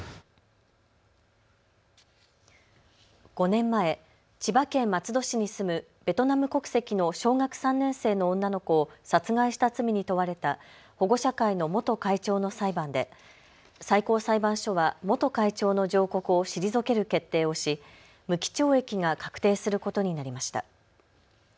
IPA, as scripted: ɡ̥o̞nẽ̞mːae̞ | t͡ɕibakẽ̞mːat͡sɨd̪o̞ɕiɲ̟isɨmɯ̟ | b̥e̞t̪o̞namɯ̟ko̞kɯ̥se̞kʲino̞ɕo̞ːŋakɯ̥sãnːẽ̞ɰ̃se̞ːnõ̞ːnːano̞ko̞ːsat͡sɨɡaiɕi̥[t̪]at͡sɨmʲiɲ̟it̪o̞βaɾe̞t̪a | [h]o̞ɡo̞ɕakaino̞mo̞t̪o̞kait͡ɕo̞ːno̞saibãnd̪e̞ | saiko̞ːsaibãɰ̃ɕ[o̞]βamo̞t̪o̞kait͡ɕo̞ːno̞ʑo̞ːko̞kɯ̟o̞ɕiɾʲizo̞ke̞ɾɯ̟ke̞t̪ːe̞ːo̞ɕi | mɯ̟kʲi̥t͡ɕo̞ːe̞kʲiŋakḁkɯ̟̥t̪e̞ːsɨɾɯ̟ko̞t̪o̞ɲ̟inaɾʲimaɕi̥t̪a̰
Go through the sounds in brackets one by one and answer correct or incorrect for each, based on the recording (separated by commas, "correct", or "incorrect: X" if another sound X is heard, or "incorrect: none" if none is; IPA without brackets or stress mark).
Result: correct, correct, correct